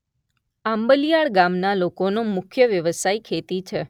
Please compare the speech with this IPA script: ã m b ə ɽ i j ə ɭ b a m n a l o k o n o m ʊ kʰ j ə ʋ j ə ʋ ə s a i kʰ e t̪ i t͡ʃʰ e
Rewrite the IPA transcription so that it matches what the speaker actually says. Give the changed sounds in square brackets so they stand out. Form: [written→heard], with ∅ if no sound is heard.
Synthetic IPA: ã m b ə [ɽ→l] i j [ə→a] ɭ [b→ɡ] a m n a l o k o n o m ʊ kʰ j ə ʋ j ə ʋ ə s a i kʰ e t̪ i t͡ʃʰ e